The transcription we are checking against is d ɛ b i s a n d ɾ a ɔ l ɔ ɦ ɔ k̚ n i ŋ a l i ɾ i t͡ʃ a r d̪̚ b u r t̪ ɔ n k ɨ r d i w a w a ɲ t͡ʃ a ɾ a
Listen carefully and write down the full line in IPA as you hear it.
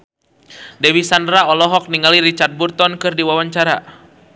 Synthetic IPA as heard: d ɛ w i s a n d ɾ a ɔ l ɔ ɦ ɔ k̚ n i ŋ a l i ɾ i t͡ʃ a r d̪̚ b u r t̪ ɔ n k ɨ r d i w a w a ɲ t͡ʃ a ɾ a